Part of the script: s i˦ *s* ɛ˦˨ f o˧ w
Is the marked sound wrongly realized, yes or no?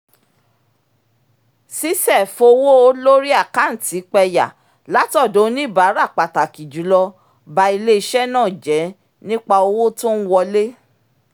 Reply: no